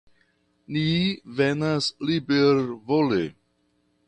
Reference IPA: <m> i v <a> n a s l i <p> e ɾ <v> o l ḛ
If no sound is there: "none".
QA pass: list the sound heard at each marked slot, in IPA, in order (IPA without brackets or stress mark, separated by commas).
n, e, b, v